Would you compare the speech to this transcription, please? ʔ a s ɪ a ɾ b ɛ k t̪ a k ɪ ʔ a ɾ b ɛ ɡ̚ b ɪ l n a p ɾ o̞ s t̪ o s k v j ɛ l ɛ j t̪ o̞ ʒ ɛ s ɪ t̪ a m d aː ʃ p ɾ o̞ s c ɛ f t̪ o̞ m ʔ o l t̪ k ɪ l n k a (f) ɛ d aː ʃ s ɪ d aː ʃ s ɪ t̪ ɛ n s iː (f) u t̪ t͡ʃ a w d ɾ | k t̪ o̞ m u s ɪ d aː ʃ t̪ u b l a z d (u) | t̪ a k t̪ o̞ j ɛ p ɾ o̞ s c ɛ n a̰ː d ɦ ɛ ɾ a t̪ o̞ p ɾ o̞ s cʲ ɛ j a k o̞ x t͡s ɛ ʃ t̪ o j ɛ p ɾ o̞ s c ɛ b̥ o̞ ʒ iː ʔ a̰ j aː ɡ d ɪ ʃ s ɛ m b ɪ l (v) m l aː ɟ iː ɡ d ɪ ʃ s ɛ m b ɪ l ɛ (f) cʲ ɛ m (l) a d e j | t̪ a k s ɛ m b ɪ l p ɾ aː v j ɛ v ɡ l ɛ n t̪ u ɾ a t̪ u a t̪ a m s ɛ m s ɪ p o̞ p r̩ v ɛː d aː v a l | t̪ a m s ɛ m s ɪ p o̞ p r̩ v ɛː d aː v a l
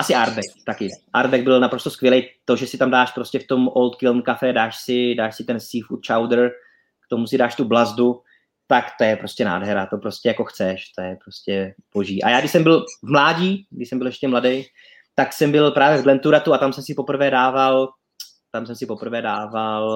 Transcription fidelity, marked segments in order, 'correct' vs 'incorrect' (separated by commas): correct, correct, correct, correct, incorrect, correct